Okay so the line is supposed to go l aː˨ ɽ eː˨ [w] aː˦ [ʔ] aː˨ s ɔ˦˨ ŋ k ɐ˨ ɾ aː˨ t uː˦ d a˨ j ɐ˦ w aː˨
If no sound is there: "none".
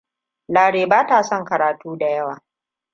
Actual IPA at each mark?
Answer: b, t

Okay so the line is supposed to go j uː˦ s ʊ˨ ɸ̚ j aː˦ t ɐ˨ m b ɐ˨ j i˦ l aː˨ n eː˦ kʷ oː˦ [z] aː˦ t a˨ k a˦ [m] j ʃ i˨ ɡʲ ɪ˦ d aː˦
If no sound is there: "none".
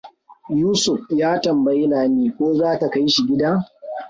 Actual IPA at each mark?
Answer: z, none

